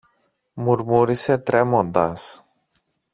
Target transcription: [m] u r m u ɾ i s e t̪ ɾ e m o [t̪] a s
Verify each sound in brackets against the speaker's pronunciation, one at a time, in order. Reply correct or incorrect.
correct, incorrect: d̪

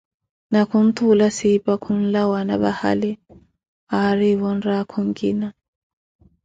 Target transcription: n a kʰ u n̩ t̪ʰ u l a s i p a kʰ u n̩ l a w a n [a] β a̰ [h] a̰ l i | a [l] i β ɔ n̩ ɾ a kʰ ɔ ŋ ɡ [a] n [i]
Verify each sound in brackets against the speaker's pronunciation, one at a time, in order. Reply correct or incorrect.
correct, correct, incorrect: ɾ, incorrect: i, incorrect: a

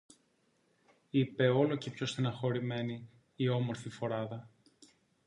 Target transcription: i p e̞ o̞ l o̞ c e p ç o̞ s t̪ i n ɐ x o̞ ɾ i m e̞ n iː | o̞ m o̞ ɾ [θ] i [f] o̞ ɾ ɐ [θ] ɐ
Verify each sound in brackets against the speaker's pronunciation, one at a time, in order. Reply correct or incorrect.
incorrect: f, correct, incorrect: ð

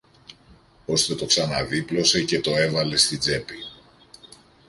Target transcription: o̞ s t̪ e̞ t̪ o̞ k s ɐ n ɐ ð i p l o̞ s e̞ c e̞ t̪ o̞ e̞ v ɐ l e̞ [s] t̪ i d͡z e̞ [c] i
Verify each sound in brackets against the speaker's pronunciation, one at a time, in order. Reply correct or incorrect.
correct, incorrect: p

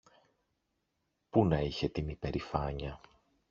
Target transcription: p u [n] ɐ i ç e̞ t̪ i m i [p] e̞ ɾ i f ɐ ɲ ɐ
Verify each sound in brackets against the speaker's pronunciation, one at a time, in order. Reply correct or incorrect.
correct, correct

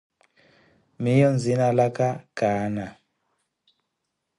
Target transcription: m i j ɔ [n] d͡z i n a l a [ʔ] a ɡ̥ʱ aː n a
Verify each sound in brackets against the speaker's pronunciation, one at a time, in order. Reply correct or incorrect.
correct, incorrect: k

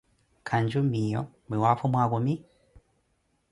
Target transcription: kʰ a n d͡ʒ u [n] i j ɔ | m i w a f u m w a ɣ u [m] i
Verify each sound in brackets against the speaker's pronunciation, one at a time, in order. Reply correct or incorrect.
incorrect: m, correct

